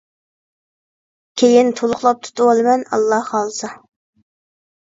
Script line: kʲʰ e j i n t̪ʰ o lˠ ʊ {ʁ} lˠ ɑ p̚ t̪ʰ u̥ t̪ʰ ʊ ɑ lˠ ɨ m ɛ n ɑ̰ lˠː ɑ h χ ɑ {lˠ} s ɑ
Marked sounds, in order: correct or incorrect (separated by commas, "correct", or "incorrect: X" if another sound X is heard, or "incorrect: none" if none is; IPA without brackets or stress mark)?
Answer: incorrect: χ, correct